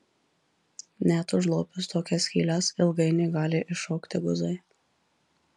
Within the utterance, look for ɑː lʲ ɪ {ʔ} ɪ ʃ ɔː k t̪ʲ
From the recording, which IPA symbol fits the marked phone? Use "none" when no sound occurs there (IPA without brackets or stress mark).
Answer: ʔ